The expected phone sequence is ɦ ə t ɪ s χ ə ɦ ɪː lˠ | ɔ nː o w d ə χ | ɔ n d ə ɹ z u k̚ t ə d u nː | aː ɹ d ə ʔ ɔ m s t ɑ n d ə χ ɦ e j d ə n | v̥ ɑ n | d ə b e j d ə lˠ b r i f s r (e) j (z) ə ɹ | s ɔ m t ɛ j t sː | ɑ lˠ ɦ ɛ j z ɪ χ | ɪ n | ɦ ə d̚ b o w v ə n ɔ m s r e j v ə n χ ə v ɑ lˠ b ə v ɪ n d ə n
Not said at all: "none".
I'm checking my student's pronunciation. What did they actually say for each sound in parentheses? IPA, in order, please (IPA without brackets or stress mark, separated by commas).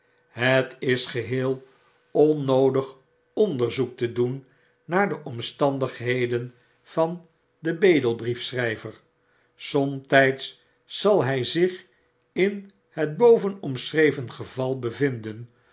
ɛ, v